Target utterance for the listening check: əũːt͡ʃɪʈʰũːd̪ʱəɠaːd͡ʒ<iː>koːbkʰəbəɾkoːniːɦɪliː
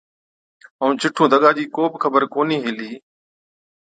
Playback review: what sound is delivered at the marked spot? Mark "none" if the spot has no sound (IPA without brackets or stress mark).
iː